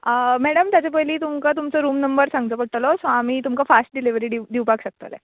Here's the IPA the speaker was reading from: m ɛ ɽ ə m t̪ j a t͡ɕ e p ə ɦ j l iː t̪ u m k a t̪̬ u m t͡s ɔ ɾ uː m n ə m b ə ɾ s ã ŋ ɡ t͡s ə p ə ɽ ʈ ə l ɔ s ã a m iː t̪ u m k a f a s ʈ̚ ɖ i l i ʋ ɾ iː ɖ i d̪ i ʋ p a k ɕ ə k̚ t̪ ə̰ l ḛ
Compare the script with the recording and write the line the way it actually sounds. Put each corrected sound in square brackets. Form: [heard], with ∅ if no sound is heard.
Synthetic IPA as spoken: m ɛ ɽ ə m t̪ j a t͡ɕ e p ə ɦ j l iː t̪ u m k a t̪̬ u m t͡s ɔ ɾ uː m n ə m b ə ɾ s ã ŋ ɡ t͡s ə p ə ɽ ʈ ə l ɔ s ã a m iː t̪ u m k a f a s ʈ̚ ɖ i l i ʋ ɾ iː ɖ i d̪ i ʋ p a k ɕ ə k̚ t̪ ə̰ l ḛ